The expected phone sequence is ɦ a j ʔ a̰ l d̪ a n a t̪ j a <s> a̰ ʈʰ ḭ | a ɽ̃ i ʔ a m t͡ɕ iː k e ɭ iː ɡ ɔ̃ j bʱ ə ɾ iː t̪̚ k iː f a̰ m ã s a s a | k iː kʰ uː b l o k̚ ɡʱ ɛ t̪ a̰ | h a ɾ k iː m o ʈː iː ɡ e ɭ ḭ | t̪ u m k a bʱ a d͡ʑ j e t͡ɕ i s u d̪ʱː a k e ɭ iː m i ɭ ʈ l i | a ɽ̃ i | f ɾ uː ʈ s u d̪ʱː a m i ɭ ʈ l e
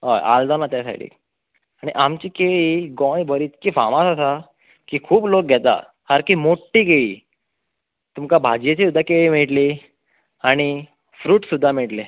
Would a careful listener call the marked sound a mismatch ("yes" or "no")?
no